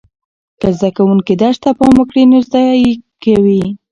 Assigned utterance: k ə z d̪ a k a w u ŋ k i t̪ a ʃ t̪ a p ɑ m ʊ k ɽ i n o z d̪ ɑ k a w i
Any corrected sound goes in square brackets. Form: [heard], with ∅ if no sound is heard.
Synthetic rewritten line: k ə z d̪ a k a w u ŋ k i [d̪] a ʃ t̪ a p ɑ m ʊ k ɽ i n o z d̪ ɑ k a w i